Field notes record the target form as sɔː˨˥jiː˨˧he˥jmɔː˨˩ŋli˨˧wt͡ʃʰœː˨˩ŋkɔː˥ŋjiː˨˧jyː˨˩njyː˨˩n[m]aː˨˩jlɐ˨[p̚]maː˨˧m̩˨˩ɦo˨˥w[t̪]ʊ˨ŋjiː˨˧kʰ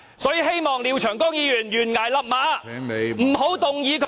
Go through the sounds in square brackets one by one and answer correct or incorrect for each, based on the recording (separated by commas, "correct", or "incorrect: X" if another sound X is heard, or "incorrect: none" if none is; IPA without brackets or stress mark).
incorrect: ŋ, correct, correct